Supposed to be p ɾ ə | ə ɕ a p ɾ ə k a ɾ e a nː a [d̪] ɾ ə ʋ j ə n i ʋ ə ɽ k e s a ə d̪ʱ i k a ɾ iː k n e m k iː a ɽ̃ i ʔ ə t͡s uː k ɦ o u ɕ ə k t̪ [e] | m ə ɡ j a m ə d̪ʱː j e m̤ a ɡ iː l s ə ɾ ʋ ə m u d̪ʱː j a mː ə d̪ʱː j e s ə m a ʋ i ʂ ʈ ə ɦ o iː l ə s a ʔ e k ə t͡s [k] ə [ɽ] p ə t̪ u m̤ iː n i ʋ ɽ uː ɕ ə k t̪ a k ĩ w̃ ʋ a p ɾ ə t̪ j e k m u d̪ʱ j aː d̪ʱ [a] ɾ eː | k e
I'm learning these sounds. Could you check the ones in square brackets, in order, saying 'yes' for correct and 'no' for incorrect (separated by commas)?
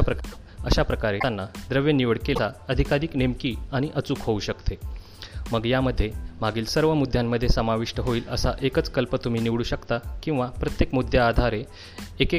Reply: yes, yes, yes, no, yes